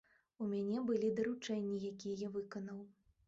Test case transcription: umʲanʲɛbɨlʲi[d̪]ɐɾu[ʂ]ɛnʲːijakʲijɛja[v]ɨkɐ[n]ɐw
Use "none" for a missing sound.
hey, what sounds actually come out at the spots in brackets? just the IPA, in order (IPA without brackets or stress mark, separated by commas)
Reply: d̪, t͡ʂ, v, n